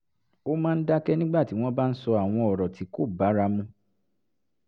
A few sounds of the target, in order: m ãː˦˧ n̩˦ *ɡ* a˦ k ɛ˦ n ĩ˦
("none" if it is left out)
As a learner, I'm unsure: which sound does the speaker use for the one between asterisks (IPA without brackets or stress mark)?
d